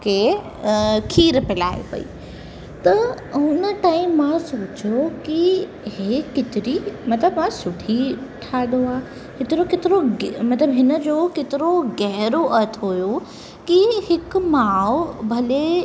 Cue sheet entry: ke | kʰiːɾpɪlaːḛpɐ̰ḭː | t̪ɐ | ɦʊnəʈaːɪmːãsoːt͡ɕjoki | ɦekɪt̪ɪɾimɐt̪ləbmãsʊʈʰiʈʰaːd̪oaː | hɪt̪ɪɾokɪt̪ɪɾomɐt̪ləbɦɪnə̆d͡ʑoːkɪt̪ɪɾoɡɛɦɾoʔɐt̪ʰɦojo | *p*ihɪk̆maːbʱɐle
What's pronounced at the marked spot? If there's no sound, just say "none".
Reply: k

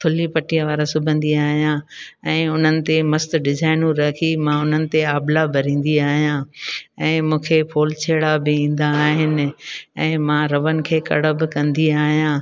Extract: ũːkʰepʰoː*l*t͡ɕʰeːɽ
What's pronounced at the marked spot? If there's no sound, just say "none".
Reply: l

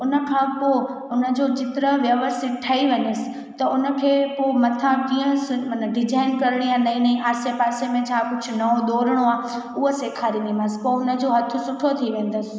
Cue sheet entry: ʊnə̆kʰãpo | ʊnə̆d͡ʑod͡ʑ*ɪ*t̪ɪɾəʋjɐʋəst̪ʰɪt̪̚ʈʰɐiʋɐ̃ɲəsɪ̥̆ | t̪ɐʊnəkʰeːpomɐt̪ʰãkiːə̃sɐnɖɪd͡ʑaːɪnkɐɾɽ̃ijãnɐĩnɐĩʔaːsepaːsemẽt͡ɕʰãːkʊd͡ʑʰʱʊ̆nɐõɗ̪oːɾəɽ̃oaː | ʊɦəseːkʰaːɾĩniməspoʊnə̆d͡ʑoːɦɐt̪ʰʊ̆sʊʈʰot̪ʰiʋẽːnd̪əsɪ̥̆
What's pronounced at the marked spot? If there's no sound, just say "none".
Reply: ɪ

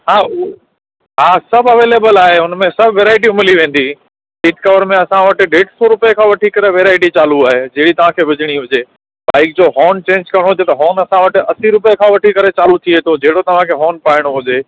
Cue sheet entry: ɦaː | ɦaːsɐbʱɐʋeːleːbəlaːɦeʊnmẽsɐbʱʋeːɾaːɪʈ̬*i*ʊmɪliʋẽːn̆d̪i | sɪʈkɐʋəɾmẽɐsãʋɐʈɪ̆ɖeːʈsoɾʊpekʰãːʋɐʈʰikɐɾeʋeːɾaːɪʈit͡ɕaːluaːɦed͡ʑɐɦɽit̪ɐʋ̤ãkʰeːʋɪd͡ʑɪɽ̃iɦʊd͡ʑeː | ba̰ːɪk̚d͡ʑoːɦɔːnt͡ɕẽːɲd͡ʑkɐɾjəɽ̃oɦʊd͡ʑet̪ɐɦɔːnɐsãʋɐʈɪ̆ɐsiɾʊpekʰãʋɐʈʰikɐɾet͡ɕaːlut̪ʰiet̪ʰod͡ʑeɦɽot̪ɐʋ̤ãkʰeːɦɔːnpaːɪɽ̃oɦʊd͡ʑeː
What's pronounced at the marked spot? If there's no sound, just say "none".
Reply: i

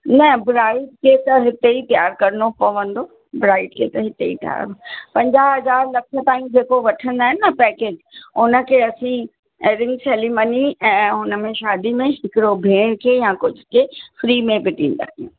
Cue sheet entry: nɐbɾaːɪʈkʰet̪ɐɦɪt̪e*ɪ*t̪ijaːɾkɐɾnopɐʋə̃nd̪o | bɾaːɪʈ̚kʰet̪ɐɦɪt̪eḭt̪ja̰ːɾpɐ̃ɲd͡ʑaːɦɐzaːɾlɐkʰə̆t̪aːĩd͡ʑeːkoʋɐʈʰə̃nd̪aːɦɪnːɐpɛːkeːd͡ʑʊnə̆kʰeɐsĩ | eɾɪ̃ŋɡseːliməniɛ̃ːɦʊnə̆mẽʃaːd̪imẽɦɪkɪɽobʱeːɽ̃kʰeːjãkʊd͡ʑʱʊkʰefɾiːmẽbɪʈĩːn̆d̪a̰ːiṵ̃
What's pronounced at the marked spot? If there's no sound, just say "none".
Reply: i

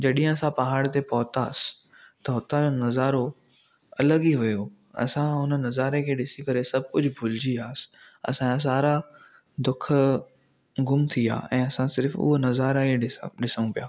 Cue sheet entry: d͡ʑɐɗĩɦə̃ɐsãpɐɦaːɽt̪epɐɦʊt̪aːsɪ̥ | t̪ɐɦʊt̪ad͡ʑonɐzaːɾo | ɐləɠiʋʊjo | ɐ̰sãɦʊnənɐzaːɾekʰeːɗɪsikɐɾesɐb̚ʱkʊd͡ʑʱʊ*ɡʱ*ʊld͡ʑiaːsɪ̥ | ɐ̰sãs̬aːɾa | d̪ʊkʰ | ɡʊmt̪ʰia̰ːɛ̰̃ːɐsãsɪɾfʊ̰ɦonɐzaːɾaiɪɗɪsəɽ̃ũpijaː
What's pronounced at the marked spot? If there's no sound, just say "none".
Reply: bʱ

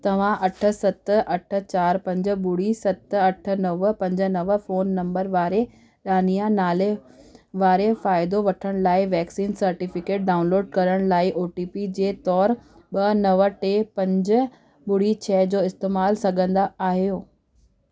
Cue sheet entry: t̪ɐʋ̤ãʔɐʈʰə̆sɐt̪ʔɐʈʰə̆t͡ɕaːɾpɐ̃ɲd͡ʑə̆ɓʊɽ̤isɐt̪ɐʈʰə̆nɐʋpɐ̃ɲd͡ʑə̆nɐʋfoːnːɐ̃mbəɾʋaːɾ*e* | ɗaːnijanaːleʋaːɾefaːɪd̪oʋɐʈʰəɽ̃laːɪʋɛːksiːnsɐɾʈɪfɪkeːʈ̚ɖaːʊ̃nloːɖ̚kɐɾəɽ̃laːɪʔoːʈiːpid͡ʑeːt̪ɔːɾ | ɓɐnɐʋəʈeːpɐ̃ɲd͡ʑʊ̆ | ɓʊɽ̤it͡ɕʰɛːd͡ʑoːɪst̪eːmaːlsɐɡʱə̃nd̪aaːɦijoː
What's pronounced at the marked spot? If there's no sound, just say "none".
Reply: e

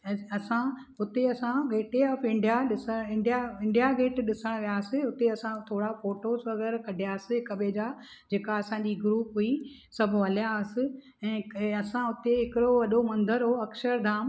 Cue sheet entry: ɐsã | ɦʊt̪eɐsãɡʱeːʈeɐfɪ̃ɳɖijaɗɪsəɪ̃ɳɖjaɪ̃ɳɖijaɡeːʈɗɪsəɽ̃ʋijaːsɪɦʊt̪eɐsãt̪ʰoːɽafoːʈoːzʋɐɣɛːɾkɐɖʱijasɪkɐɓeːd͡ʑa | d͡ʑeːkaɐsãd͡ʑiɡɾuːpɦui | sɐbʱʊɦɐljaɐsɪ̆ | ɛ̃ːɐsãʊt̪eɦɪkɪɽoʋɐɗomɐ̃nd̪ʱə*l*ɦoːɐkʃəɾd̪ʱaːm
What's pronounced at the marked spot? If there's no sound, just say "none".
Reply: ɾ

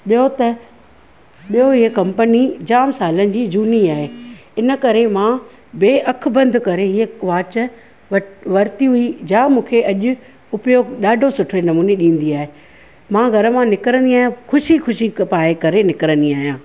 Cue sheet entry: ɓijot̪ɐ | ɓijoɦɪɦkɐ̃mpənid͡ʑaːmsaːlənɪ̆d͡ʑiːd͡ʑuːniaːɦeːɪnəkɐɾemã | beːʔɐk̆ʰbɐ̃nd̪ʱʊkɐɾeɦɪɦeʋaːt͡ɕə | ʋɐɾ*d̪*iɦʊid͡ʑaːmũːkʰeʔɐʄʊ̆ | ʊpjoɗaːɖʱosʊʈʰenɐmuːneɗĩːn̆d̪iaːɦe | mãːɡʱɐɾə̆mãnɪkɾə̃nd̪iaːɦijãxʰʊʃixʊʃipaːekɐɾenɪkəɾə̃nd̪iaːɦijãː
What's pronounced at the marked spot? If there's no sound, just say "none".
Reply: t̪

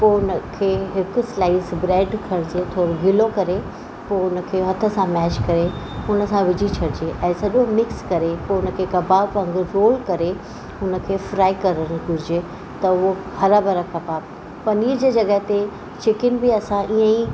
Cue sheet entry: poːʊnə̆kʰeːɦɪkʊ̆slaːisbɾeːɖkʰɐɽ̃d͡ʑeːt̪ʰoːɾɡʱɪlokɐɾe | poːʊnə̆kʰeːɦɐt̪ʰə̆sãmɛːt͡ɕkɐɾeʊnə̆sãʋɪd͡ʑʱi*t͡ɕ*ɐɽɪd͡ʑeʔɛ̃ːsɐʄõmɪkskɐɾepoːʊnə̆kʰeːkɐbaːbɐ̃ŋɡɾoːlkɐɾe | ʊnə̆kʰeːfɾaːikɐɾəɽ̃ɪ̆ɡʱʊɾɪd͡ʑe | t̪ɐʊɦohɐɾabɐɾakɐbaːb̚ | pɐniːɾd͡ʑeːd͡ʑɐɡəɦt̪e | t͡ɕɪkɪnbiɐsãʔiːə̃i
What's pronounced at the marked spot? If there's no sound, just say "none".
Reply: t͡ɕʰ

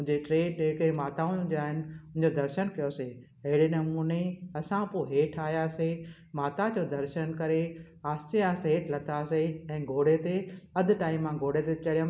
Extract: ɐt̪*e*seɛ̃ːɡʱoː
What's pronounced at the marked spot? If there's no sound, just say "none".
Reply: a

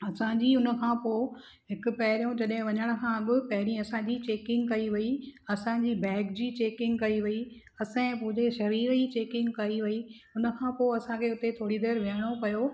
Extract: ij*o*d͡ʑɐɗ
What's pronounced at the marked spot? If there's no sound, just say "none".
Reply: õ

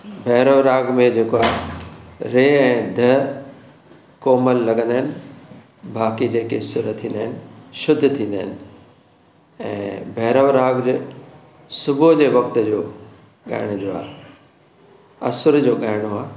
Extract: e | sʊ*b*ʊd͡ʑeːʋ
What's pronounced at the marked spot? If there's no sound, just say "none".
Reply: b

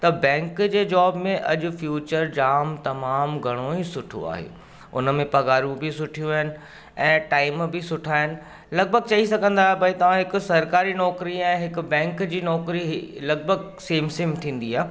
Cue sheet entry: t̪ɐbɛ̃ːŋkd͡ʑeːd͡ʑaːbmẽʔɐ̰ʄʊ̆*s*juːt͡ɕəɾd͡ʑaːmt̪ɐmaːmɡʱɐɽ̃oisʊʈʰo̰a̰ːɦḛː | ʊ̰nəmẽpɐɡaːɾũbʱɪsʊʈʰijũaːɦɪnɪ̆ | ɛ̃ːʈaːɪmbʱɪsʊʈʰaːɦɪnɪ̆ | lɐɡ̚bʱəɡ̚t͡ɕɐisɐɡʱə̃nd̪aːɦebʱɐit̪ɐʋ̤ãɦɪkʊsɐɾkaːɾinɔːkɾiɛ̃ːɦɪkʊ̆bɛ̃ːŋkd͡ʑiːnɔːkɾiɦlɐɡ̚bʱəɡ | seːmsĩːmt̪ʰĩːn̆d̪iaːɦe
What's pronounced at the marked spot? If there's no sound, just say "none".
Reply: f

